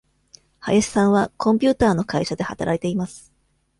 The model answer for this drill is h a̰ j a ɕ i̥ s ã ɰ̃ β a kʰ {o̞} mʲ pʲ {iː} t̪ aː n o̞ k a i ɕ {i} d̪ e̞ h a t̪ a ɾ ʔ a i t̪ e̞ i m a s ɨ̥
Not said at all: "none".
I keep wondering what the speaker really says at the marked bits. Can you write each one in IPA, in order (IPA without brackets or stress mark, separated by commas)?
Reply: õ̞, ɨː, a